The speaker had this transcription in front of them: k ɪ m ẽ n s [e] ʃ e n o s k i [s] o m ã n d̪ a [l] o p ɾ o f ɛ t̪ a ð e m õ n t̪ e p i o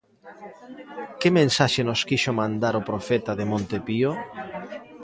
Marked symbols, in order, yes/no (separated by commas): no, no, no